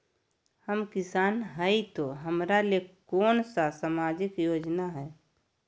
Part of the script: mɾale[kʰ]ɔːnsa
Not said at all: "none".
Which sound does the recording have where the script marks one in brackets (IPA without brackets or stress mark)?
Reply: k